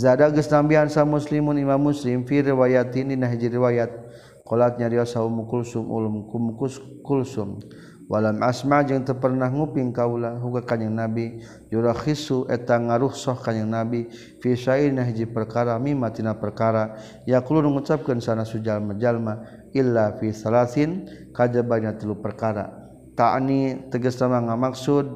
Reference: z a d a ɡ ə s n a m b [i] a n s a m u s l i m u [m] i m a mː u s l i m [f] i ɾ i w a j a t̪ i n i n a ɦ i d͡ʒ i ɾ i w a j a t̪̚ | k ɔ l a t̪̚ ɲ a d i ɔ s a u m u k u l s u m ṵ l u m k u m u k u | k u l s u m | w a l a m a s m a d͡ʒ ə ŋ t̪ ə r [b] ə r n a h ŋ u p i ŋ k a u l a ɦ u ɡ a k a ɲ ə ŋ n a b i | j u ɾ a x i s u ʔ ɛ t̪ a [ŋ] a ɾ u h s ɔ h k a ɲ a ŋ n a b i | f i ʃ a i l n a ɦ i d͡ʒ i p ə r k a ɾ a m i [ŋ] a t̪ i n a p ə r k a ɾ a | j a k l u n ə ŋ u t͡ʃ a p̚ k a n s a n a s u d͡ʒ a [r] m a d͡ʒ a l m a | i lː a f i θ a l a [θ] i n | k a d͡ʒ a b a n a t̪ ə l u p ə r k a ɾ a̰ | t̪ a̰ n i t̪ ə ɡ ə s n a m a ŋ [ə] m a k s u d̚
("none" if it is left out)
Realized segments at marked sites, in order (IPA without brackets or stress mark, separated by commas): i, n, f, p, ŋ, m, l, θ, a